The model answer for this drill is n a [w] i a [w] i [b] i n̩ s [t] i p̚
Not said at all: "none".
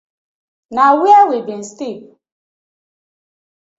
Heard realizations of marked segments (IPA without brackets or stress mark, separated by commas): w, w, b, t